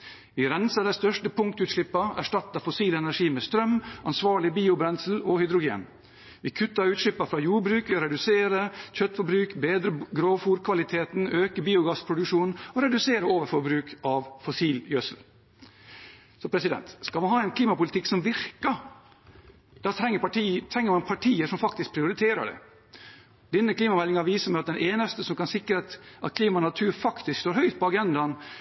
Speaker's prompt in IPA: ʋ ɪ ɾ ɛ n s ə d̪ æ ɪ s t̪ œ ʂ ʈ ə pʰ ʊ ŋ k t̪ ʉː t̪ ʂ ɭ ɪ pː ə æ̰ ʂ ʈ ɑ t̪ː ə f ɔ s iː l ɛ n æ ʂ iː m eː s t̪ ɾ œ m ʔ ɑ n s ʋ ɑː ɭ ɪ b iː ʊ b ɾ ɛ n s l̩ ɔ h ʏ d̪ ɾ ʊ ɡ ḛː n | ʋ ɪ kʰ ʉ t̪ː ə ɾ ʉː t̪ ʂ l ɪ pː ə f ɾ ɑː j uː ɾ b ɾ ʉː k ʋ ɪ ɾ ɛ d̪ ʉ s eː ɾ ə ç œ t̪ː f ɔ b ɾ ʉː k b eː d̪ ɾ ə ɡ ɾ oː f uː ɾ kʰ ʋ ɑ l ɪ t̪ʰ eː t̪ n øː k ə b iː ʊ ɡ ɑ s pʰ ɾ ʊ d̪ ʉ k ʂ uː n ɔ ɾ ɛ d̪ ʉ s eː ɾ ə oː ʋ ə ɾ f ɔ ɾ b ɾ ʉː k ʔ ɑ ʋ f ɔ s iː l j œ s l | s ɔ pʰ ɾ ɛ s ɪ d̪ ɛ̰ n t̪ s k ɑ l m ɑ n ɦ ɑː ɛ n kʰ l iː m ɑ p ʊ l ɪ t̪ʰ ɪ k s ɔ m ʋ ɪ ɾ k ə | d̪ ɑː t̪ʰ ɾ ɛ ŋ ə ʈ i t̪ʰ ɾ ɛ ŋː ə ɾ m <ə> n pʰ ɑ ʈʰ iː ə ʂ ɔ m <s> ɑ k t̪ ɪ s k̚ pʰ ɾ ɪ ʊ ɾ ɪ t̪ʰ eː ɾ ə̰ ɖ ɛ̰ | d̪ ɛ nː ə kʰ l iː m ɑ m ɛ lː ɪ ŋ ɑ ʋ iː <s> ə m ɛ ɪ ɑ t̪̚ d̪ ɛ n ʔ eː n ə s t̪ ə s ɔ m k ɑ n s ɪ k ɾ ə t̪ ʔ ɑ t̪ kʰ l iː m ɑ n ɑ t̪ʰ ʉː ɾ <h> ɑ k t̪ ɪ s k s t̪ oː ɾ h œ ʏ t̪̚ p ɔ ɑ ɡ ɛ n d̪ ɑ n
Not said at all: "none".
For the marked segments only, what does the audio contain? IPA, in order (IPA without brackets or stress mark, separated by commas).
ɑ, f, s, f